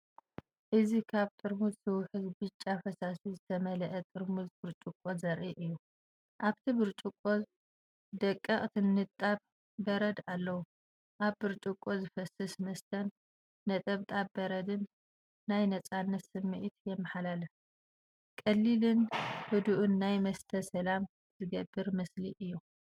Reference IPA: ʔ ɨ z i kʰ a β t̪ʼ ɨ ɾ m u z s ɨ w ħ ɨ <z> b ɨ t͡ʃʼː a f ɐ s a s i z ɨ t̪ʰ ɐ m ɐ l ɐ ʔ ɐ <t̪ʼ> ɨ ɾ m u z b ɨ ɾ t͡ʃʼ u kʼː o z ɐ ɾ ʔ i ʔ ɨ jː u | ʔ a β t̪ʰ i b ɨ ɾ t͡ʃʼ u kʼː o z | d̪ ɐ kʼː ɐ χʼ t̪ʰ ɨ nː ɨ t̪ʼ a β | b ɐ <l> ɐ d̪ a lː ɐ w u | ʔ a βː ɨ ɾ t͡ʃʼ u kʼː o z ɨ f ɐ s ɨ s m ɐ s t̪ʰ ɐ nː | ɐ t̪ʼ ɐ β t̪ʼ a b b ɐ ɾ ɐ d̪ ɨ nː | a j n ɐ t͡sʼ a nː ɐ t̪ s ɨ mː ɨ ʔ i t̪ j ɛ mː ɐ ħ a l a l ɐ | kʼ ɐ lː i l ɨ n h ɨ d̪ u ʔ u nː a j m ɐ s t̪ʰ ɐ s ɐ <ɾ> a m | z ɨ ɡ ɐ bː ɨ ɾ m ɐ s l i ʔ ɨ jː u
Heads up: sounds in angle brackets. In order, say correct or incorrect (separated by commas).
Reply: correct, correct, incorrect, incorrect